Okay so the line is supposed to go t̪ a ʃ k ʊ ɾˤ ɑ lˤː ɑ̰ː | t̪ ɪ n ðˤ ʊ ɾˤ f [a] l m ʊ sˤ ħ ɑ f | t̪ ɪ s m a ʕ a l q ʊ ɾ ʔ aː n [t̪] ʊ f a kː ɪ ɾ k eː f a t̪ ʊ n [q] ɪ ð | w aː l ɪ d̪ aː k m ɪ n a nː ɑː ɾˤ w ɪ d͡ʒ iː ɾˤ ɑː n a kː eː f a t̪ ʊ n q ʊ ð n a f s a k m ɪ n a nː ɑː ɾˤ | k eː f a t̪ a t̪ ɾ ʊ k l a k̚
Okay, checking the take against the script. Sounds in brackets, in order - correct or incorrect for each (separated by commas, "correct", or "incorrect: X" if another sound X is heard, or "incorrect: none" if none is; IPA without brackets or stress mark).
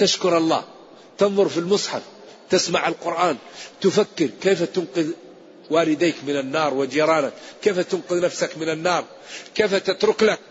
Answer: incorrect: i, correct, correct